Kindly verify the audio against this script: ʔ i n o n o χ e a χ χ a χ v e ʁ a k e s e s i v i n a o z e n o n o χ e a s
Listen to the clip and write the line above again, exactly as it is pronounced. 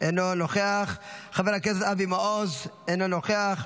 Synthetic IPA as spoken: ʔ e n o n o χ e a χ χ a v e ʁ a k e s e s a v i m a o z e n o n o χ e a χ